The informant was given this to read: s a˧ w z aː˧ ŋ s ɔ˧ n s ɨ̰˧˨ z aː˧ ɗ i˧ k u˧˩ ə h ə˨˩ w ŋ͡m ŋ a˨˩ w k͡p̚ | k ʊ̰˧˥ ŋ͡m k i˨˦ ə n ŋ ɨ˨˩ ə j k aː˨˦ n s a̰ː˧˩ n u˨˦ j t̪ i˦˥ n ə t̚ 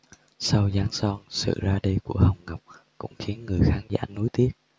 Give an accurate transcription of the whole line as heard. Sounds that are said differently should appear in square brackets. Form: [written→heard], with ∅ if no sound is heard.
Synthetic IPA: s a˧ w z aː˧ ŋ s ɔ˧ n s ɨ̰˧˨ z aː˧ ɗ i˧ k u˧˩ ə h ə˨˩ w ŋ͡m ŋ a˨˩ w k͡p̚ | k ʊ̰˧˥ ŋ͡m [k→x] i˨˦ ə n ŋ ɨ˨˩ ə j [k→x] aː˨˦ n [s→z] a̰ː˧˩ n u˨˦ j t̪ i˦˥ [n→∅] ə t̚

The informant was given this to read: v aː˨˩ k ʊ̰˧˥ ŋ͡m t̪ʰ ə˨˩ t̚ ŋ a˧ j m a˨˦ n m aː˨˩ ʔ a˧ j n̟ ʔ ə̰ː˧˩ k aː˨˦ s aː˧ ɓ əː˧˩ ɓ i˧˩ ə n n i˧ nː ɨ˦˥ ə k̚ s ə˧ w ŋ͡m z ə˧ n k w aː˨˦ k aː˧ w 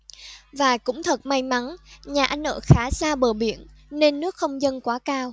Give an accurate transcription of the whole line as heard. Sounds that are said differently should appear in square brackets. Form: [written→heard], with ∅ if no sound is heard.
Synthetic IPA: v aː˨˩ k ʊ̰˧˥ ŋ͡m t̪ʰ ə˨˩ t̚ [ŋ→m] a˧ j m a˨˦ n [m→ɲ] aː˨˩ ʔ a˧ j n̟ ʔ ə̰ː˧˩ [k→x] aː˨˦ s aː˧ ɓ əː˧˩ ɓ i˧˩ ə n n [i˧→e˧] nː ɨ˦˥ ə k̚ [s→x] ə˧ w ŋ͡m z ə˧ n k w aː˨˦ k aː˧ w

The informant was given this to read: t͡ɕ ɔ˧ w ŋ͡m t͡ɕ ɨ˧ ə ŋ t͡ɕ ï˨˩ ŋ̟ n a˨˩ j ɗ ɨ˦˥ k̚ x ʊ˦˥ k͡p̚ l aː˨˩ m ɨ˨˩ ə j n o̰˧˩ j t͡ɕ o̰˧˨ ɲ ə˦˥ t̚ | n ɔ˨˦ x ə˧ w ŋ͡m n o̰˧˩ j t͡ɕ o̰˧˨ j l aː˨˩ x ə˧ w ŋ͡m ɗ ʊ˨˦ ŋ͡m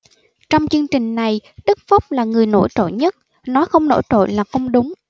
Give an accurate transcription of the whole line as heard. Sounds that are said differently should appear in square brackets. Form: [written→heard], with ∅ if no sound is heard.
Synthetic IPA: t͡ɕ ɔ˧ w ŋ͡m t͡ɕ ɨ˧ ə ŋ t͡ɕ ï˨˩ ŋ̟ n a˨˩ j ɗ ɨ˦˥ k̚ [x→f] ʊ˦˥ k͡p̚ l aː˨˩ [m→ŋ] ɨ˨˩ ə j n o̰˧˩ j t͡ɕ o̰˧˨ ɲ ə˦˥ t̚ | n ɔ˨˦ x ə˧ w ŋ͡m n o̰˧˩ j t͡ɕ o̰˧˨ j l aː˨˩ x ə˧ w ŋ͡m ɗ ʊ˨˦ ŋ͡m

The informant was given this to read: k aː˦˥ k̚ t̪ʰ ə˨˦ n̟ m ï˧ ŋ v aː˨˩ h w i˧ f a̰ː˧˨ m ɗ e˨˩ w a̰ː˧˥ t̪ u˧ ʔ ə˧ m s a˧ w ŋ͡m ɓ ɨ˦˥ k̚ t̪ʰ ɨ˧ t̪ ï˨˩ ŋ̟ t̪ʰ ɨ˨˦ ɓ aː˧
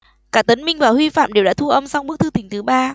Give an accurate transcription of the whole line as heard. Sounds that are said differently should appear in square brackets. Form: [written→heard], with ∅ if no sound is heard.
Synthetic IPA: k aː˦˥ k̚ [t̪ʰ→t̪] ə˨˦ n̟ m ï˧ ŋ v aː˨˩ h w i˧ f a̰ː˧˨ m ɗ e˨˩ w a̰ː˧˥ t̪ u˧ ʔ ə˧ m s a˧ w ŋ͡m ɓ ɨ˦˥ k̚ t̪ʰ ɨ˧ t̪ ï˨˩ ŋ̟ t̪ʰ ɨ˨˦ ɓ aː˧

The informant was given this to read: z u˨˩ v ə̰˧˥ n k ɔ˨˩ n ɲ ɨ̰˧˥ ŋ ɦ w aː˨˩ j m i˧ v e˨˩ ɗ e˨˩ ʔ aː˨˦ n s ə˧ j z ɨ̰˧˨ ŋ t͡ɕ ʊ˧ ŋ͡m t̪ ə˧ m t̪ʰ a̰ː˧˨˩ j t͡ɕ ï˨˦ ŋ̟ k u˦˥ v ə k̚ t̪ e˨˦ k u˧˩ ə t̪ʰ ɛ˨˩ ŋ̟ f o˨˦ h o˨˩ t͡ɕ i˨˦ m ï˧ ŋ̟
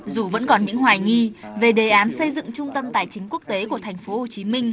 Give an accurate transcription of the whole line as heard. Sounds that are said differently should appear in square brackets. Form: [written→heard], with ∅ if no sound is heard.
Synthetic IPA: z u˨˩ v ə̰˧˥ n k ɔ˨˩ n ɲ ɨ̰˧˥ ŋ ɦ w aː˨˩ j [m→ŋ] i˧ v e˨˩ ɗ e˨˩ ʔ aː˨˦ n s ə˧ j z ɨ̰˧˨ ŋ t͡ɕ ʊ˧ ŋ͡m t̪ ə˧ m [t̪ʰ→t̪] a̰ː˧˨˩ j t͡ɕ ï˨˦ ŋ̟ k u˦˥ [v→∅] ə k̚ t̪ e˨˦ k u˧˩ ə t̪ʰ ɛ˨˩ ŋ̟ f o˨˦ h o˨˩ t͡ɕ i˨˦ m ï˧ ŋ̟

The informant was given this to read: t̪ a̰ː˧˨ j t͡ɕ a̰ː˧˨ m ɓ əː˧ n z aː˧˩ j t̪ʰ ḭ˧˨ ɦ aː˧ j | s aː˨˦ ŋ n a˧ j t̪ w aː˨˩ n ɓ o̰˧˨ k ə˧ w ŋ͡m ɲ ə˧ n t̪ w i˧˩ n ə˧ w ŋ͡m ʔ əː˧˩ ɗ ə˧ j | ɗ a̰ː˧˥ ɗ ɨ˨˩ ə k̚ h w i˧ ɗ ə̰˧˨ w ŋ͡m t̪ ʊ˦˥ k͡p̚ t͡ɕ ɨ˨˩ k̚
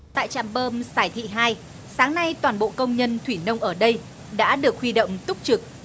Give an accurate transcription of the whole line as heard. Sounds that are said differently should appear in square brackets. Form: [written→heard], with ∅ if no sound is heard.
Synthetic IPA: t̪ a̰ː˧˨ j t͡ɕ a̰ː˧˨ m ɓ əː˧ [n→m] z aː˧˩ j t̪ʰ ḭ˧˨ ɦ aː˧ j | s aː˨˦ ŋ n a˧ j t̪ w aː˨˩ n ɓ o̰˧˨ k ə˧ w ŋ͡m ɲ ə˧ n [t̪→t̪ʰ] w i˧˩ n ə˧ w ŋ͡m ʔ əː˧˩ ɗ ə˧ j | ɗ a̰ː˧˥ ɗ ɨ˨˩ ə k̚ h w i˧ ɗ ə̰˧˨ w ŋ͡m t̪ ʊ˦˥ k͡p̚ t͡ɕ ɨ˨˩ k̚

